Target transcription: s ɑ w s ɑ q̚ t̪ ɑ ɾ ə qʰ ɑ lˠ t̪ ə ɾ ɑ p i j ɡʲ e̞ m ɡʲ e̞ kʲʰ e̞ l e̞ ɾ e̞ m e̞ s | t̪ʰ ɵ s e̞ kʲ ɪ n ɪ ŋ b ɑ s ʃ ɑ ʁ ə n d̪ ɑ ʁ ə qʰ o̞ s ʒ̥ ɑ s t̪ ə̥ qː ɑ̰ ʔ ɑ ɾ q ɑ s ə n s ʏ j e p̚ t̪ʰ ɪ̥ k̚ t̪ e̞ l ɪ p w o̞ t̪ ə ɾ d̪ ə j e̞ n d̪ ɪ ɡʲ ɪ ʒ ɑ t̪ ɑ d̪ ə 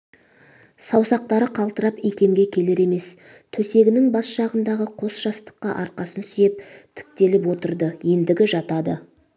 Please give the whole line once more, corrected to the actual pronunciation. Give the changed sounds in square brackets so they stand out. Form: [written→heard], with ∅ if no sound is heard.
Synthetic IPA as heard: s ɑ w s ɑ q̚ t̪ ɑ ɾ ə qʰ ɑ lˠ t̪ ə ɾ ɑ p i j [ɡʲ→kʲ] e̞ m ɡʲ e̞ kʲʰ e̞ l e̞ ɾ e̞ m e̞ s | t̪ʰ ɵ s e̞ [kʲ→ɡʲ] ɪ n ɪ ŋ b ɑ s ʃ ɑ ʁ ə n d̪ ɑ ʁ ə qʰ o̞ s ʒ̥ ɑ s t̪ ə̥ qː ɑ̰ ʔ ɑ ɾ q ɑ s ə n s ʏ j e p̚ t̪ʰ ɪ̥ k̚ t̪ e̞ l ɪ p w o̞ t̪ ə ɾ d̪ ə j e̞ n d̪ ɪ ɡʲ ɪ ʒ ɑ t̪ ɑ d̪ ə